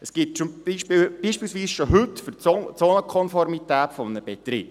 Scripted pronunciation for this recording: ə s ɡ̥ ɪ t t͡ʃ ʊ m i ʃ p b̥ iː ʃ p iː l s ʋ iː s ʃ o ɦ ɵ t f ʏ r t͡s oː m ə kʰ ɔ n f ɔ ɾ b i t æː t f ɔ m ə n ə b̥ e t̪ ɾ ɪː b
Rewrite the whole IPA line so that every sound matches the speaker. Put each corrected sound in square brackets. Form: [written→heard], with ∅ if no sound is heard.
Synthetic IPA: ə s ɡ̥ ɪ t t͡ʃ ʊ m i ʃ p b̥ iː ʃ p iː l s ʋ iː s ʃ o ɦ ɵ t f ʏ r t͡s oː [m→n] ə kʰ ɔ n f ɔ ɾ [b→m] i t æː t f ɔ m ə n ə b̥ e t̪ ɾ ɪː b